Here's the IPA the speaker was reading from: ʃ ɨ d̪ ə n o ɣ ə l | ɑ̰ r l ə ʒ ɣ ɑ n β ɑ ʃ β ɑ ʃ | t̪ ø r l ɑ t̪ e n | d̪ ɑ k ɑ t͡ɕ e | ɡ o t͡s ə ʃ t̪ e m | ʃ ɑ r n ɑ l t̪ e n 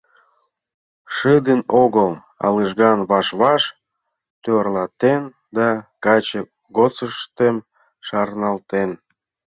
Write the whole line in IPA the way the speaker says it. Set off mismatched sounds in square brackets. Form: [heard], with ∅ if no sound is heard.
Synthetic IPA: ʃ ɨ d̪ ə n o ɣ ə l | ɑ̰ [∅] l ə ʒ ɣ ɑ n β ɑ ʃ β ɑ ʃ | t̪ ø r l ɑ t̪ e n | d̪ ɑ k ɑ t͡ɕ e | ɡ o t͡s ə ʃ t̪ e m | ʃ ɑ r n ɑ l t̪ e n